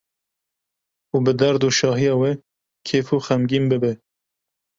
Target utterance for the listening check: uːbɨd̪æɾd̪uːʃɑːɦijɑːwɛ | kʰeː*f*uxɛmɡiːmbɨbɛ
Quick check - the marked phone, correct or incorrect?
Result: correct